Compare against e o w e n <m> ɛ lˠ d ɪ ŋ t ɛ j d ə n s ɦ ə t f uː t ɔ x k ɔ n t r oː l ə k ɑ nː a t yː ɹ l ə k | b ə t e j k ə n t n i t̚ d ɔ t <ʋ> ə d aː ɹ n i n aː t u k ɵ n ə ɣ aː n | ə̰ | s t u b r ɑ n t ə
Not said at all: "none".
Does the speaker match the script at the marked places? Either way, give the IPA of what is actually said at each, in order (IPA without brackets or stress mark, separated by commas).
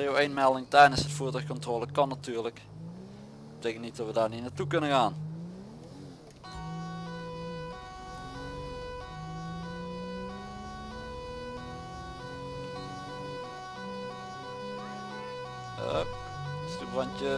m, ʋ